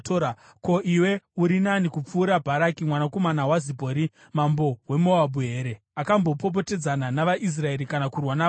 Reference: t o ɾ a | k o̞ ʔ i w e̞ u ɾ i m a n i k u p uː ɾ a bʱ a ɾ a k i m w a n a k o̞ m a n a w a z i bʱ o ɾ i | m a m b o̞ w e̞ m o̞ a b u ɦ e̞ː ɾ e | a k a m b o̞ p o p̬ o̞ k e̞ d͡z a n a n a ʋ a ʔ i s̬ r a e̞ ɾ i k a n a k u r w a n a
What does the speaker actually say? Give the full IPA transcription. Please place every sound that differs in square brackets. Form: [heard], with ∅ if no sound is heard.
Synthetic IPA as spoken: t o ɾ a | k o̞ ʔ i w e̞ u ɾ i [n] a n i k u [p͡f] uː ɾ a bʱ a ɾ a k i m w a n a k o̞ m a n a w a z i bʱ o ɾ i | m a m b o̞ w e̞ m o̞ a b u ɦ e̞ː ɾ e | a k a m b o̞ p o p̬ o̞ [t] e̞ d͡z a n a n a ʋ a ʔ i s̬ r a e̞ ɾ i k a n a k u r w a n a